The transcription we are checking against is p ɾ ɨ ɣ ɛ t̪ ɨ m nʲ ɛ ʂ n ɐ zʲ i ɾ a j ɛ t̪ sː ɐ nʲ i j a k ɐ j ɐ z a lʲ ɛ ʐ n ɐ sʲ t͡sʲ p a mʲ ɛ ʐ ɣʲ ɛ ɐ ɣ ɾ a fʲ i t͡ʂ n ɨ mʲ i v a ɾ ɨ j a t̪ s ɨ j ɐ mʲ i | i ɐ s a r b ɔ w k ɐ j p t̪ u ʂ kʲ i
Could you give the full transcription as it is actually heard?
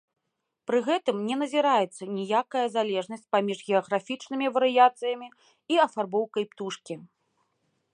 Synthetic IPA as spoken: p ɾ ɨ ɣ ɛ t̪ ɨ m nʲ ɛ n ɐ zʲ i ɾ a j ɛ t̪ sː ɐ nʲ i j a k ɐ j ɐ z a lʲ ɛ ʐ n ɐ sʲ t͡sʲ p a mʲ i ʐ ɣʲ ɛ ɐ ɣ ɾ a fʲ i t͡ʂ n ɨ mʲ i v ɐ ɾ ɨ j a t̪ s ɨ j ɐ mʲ i | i ɐ f a r b ɔ w k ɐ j p t̪ u ʂ kʲ i